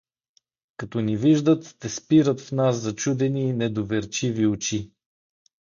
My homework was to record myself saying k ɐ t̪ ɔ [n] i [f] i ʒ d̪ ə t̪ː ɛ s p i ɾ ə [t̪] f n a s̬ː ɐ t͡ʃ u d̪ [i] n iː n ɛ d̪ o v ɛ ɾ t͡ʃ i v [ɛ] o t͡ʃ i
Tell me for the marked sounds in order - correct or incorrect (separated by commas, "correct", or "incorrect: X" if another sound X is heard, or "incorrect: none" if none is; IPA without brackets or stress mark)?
correct, incorrect: v, correct, incorrect: ɛ, incorrect: i